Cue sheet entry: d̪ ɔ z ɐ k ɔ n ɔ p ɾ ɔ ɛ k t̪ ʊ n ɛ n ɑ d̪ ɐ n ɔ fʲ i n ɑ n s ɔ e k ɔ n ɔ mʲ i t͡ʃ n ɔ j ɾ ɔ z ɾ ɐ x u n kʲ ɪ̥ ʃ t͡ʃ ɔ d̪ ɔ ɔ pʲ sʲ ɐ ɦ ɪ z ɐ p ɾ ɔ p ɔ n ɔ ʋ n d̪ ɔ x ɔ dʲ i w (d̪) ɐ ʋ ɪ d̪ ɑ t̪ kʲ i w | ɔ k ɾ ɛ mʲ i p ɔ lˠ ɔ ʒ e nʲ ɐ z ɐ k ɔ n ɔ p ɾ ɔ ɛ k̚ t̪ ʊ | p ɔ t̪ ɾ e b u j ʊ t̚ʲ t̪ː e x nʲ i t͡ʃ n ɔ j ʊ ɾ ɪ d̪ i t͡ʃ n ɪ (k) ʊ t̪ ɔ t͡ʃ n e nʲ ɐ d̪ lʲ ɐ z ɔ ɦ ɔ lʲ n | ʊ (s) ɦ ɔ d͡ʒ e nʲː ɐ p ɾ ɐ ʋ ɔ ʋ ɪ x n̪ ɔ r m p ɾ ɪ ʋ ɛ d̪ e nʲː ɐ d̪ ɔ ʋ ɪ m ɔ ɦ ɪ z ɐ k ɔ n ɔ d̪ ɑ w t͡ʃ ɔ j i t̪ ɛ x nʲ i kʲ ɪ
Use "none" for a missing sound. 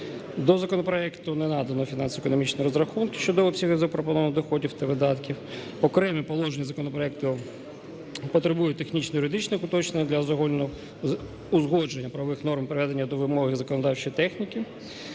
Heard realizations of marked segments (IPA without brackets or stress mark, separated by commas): t̪, x, z